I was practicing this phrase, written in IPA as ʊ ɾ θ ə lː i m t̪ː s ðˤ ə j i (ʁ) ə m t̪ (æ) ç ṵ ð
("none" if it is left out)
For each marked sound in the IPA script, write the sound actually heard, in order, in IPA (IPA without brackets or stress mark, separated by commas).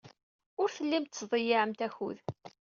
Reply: ʕ, æ